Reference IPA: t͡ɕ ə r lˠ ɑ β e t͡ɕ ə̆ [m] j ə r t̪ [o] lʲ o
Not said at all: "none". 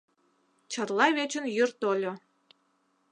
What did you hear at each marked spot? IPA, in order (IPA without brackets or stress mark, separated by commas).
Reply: n, o